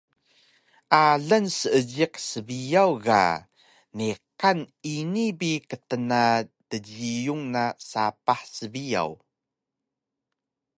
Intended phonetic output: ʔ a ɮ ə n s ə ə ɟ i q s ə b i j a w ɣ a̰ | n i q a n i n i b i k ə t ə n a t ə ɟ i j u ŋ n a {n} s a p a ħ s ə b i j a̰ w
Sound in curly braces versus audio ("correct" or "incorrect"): incorrect